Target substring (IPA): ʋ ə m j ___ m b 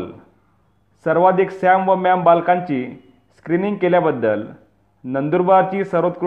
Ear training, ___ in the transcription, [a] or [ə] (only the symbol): a